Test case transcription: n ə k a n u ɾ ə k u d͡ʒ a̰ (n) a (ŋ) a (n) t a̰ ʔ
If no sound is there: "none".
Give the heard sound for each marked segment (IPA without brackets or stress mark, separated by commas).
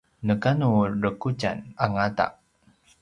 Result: n, ŋ, none